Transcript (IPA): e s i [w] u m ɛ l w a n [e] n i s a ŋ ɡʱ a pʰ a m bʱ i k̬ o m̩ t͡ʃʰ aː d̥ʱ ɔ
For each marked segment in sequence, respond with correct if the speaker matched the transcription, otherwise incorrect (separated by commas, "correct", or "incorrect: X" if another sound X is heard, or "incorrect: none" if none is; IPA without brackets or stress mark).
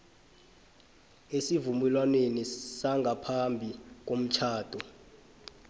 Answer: incorrect: v, correct